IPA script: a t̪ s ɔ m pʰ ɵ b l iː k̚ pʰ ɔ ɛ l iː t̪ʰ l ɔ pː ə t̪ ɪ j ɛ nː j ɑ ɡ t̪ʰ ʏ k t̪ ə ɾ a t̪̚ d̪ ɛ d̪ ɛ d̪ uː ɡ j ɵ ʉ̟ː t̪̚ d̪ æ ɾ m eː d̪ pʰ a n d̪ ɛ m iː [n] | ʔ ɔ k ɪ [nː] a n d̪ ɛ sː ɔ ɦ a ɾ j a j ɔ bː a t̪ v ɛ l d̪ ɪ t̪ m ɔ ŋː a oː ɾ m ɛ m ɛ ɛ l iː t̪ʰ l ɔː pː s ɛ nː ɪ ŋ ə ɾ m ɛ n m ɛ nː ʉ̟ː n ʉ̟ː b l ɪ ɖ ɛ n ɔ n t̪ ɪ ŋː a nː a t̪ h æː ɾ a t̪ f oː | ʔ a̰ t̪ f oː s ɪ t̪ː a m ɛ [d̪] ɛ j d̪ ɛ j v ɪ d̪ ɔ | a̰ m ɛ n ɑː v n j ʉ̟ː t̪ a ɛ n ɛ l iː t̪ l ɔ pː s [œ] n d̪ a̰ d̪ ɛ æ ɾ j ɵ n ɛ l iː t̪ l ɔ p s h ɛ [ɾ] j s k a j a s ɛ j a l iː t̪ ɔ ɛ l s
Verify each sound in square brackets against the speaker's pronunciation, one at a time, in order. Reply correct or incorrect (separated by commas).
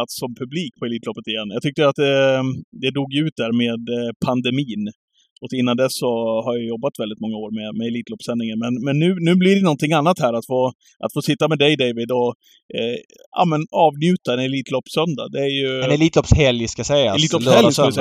correct, correct, correct, correct, incorrect